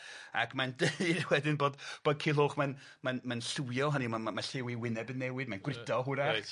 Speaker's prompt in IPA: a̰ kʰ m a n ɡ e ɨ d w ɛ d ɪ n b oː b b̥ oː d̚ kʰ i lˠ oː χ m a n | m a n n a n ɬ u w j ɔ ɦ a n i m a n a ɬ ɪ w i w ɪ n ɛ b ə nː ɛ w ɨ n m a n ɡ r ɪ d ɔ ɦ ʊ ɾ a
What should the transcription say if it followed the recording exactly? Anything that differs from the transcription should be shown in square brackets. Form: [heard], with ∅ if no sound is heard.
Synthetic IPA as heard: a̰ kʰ m a n [d] e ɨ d w ɛ d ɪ n b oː [d] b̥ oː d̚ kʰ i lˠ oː χ m a n | m a n [m] a n ɬ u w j ɔ ɦ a n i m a [m] a ɬ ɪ w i w ɪ n ɛ b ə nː ɛ w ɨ [d] m a n ɡ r ɪ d ɔ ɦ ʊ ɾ a